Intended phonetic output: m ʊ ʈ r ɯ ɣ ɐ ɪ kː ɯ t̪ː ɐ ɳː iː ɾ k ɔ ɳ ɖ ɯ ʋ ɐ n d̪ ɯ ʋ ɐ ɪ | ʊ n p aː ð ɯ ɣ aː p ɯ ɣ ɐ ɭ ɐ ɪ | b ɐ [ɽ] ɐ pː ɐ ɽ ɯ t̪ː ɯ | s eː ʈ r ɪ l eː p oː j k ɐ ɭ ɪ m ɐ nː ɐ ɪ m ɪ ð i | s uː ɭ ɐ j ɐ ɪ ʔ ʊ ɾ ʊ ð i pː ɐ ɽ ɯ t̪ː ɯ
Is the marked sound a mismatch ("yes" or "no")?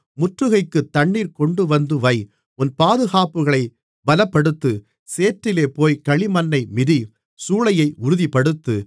yes